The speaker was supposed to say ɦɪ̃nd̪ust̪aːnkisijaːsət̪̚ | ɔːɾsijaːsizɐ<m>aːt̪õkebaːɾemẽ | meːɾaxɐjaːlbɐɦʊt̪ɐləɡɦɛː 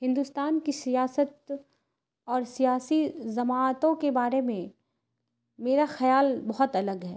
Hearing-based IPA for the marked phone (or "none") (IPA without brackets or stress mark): m